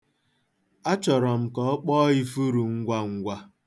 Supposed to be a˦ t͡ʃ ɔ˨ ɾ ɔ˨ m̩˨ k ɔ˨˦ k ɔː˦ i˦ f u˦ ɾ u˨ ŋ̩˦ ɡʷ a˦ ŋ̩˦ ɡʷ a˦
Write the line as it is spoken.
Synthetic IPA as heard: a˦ t͡ʃ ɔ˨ ɾ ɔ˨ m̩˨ k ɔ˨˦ k͡p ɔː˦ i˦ f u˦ ɾ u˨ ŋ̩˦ ɡʷ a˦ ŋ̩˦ ɡʷ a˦